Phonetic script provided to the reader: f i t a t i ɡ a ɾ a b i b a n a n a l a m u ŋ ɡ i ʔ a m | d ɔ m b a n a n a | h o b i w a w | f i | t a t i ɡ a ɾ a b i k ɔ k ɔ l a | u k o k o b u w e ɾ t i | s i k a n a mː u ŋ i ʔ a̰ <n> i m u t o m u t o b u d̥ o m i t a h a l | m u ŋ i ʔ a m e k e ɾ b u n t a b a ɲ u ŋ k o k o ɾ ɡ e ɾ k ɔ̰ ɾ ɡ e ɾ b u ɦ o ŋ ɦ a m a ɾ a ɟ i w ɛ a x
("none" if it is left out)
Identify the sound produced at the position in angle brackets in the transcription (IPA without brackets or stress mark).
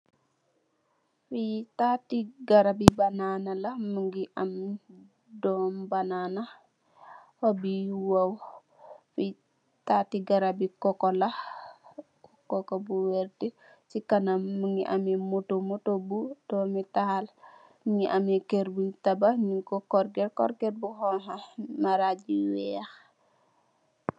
m